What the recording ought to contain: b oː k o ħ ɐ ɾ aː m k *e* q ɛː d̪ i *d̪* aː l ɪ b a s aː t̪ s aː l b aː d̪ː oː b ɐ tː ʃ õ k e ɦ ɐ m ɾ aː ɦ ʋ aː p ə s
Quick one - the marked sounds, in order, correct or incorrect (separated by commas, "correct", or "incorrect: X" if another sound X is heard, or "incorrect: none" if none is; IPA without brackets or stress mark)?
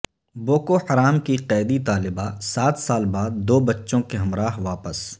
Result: incorrect: i, incorrect: t̪